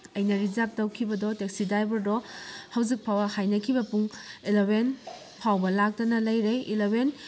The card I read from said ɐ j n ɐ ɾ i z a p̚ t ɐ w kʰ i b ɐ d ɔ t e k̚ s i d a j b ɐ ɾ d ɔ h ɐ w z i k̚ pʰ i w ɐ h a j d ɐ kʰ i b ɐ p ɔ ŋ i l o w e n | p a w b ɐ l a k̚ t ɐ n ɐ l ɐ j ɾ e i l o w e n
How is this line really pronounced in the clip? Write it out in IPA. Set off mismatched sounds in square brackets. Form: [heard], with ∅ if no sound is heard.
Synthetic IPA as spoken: ɐ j n ɐ ɾ i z a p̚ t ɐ w kʰ i b ɐ d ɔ t e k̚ s i d a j b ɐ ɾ d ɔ h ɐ w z i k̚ pʰ [a] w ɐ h a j [n] ɐ kʰ i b ɐ p [u] ŋ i l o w e n | [pʰ] a w b ɐ l a k̚ t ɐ n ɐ l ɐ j ɾ e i l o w e n

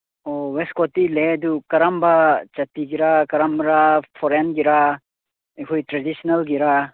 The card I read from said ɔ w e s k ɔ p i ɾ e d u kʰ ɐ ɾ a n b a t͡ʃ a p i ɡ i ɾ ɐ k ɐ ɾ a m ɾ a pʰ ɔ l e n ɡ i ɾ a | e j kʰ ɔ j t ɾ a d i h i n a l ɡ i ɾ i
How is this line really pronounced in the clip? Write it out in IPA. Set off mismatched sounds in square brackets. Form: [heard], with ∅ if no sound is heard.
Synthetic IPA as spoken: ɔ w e s k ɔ [t] i [l] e d u [k] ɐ ɾ a [m] b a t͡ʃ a [t] i ɡ i ɾ [a] k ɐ ɾ a m ɾ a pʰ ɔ [ɾ] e n ɡ i ɾ a | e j kʰ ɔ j t ɾ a d i [s] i n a l ɡ i ɾ [a]

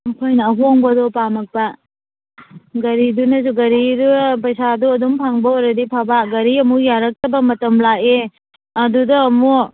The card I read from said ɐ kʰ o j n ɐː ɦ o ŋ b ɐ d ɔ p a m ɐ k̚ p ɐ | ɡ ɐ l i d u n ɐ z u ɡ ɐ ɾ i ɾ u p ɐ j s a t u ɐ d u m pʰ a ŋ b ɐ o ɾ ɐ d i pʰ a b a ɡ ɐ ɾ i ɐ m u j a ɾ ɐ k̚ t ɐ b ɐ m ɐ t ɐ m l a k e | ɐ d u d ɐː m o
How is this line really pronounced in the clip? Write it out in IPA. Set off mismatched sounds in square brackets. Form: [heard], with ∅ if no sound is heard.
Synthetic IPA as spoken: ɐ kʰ o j n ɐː ɦ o ŋ b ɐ d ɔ p a m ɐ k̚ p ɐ | ɡ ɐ [ɾ] i d u n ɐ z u ɡ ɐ ɾ i ɾ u p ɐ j s a [d] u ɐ d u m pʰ a ŋ b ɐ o ɾ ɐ d i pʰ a b a ɡ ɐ ɾ i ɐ m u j a ɾ ɐ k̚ t ɐ b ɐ m ɐ t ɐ m l a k e | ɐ d u d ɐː m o

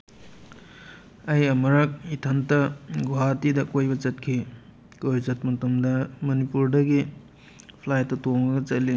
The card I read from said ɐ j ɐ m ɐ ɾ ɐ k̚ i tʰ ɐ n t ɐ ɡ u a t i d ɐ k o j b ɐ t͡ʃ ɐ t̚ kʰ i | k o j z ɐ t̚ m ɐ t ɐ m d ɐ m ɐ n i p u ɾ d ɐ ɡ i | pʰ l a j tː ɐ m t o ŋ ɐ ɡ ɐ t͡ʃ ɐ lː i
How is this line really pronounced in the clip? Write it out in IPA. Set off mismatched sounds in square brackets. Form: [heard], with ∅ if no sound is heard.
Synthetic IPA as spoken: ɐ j ɐ m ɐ ɾ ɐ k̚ i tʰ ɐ n t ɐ ɡ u a t i d ɐ k o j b ɐ t͡ʃ ɐ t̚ kʰ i | k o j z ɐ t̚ m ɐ t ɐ m d ɐ m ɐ n i p u ɾ d ɐ ɡ i | pʰ l a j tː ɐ [∅] t o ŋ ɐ ɡ ɐ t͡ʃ ɐ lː i

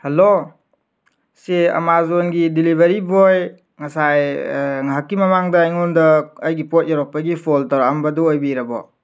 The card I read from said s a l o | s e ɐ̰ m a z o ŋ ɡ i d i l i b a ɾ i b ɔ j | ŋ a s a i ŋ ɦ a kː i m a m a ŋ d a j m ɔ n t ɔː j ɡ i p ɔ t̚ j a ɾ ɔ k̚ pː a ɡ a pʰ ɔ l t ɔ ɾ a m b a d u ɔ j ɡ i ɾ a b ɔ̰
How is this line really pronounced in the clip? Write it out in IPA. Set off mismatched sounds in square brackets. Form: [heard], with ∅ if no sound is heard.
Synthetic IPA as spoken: [h] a l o | s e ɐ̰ m a z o [n] ɡ i d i l i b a ɾ i b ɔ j | ŋ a s a [j] ŋ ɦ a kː i m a m a ŋ d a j [ŋ] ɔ n [d] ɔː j ɡ i p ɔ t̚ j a ɾ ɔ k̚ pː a ɡ [i] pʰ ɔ l t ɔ ɾ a m b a d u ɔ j [b] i ɾ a b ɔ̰

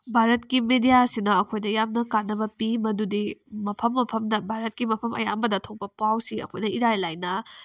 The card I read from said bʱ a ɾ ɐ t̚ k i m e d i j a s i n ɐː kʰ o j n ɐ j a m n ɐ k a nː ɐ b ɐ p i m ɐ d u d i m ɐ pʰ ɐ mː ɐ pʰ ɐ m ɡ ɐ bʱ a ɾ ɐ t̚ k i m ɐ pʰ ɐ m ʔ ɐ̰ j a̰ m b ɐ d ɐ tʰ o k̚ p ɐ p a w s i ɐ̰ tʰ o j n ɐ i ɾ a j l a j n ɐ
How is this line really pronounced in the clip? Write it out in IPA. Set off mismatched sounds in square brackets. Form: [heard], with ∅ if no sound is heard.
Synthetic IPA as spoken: bʱ a ɾ ɐ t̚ k i m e d i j a s i n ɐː kʰ o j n ɐ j a m n ɐ k a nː ɐ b ɐ p i m ɐ d u d i m ɐ pʰ ɐ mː ɐ pʰ ɐ m [d] ɐ bʱ a ɾ ɐ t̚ k i m ɐ pʰ ɐ m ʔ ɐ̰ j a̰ m b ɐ d ɐ tʰ o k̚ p ɐ p a w s i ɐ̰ [kʰ] o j n ɐ i ɾ a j l a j n ɐ

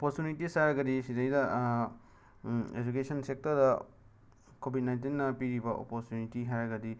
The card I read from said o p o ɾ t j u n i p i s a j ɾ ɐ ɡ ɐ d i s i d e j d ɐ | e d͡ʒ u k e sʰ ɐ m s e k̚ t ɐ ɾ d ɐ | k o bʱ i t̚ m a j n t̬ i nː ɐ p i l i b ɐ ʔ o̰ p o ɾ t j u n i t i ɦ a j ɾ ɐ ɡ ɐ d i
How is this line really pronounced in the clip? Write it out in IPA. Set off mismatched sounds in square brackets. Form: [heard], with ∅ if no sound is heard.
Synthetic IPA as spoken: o p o ɾ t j u n i [t] i s a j ɾ ɐ ɡ ɐ d i s i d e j d ɐ | e d͡ʒ u k e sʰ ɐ [n] s e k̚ t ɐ ɾ d ɐ | k o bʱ i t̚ [n] a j n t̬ i nː ɐ p i [ɾ] i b ɐ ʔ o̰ p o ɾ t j u n i t i ɦ a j ɾ ɐ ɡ ɐ d i

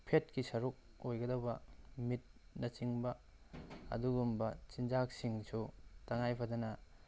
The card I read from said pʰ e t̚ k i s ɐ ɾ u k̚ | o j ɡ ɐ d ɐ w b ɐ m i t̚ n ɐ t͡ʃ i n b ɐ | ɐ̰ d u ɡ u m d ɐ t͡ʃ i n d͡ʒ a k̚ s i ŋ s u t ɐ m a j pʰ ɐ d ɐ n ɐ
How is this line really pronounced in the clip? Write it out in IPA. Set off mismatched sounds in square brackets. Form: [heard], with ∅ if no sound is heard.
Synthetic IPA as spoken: pʰ e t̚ k i s ɐ ɾ u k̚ | o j ɡ ɐ d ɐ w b ɐ m i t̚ n ɐ t͡ʃ i [ŋ] b ɐ | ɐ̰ d u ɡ u m [b] ɐ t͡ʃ i n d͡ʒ a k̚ s i ŋ s u t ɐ [ŋ] a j pʰ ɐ d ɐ n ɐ

